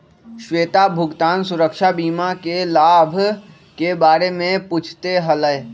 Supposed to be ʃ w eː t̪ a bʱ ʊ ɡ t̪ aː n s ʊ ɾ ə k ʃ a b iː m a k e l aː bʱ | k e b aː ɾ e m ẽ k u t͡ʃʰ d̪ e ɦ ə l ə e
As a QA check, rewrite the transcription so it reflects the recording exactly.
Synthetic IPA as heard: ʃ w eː t̪ a bʱ ʊ ɡ t̪ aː n s ʊ ɾ ə k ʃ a b iː m a k e l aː bʱ | k e b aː ɾ e m ẽ p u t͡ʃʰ t̪ e ɦ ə l ə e